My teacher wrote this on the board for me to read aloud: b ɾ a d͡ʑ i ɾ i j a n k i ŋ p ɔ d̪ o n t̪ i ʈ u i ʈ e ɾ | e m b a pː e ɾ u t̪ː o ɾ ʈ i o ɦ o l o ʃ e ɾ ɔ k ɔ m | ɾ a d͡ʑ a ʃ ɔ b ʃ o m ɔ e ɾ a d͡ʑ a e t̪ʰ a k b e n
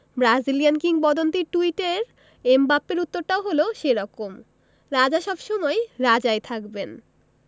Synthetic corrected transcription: b ɾ a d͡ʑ i l i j a n k i ŋ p ɔ d̪ o n t̪ i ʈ u i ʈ e ɾ | e m b a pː e ɾ u t̪ː o ɾ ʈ a o ɦ o l o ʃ e ɾ ɔ k o m | ɾ a d͡ʑ a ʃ ɔ b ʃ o m ɔ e ɾ a d͡ʑ a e t̪ʰ a k b e n